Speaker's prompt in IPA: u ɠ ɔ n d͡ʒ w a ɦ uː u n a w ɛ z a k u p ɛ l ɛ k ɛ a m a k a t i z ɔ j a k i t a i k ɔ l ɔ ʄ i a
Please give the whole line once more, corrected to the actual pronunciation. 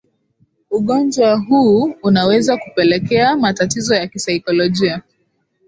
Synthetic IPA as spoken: u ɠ ɔ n d͡ʒ w a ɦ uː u n a w ɛ z a k u p ɛ l ɛ k ɛ a m a t a t i z ɔ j a k i s a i k ɔ l ɔ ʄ i a